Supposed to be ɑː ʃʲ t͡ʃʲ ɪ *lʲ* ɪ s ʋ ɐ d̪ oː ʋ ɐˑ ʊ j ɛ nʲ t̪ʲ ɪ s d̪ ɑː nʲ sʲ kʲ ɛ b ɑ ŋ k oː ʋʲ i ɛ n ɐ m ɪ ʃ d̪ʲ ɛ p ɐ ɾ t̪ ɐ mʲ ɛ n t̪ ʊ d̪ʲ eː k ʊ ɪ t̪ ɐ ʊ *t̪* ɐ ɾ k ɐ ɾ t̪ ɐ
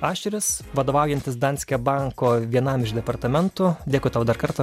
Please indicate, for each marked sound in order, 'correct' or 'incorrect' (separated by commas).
incorrect, incorrect